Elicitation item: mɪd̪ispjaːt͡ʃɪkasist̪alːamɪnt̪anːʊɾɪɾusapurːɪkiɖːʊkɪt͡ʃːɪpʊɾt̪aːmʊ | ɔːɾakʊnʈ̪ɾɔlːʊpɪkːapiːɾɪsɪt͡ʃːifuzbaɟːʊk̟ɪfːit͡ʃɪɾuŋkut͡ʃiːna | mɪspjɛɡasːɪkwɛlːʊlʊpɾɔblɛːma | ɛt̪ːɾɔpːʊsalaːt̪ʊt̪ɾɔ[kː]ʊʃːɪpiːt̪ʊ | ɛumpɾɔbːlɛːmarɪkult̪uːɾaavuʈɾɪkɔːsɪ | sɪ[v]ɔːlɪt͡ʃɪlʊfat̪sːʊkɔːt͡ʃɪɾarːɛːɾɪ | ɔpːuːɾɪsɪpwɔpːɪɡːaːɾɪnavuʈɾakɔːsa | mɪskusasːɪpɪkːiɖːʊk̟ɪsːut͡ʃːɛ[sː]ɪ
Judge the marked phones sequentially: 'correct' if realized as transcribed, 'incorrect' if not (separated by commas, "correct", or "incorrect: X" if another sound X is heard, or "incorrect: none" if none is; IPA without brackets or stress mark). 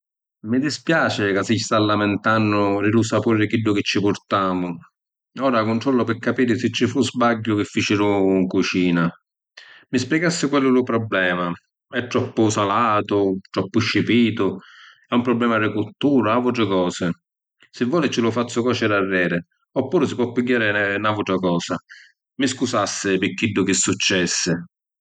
incorrect: pː, incorrect: vː, correct